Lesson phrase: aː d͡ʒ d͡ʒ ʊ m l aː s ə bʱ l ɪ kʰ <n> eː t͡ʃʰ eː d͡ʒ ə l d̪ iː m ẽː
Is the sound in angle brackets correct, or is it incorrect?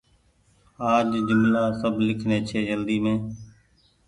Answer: correct